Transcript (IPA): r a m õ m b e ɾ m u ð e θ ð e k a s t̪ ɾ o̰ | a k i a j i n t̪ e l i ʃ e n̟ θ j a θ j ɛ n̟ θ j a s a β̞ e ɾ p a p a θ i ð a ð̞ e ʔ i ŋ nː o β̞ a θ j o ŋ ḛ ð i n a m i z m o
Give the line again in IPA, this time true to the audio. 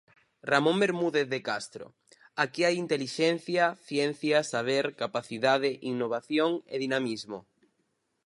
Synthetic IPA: r a m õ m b e ɾ m u ð e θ ð e k a s t̪ ɾ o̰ | a k i a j i n t̪ e l i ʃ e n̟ θ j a θ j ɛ n̟ θ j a s a β̞ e ɾ k a p a θ i ð a ð̞ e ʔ i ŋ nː o β̞ a θ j o ŋ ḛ ð i n a m i z m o